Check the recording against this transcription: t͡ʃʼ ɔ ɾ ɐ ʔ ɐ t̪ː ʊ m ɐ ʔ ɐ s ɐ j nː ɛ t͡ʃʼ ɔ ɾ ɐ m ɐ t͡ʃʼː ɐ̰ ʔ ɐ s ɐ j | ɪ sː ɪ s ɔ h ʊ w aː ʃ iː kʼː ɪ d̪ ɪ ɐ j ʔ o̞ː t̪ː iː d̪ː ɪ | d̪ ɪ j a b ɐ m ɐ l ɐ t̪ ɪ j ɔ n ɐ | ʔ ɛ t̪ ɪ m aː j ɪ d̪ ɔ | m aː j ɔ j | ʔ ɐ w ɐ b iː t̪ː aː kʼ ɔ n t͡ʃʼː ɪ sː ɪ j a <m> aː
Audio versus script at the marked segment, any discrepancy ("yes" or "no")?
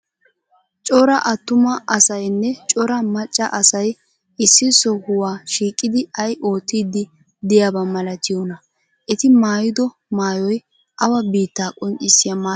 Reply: no